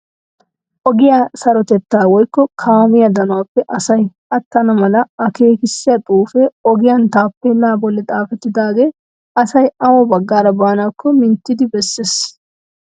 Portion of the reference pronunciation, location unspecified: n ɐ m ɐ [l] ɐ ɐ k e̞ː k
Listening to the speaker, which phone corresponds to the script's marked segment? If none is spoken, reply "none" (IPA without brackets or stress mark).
l